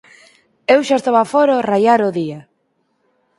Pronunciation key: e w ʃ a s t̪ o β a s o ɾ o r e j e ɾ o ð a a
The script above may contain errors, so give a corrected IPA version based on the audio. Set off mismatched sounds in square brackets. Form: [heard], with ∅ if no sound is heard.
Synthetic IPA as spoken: e w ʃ a s t̪ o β a [f] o ɾ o r [a] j [a] ɾ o ð [i] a

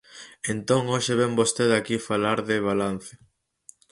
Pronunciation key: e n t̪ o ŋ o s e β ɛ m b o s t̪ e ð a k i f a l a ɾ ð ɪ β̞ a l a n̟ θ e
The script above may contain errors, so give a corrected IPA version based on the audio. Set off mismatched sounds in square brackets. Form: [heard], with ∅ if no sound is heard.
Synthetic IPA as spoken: e n t̪ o ŋ o [ʃ] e β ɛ m b o s t̪ e ð a k i f a l a ɾ ð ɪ β̞ a l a n̟ θ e

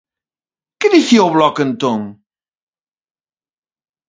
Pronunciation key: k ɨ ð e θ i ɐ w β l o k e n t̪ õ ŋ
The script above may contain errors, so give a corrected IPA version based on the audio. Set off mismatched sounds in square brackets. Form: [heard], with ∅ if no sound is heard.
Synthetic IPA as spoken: k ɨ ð [i] θ i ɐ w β l [ɔ] k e n t̪ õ ŋ

